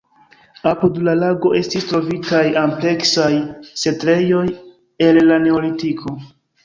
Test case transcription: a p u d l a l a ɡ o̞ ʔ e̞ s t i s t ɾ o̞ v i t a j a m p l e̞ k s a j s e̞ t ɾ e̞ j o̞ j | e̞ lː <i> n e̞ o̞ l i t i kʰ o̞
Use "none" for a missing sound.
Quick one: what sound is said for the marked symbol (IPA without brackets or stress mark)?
a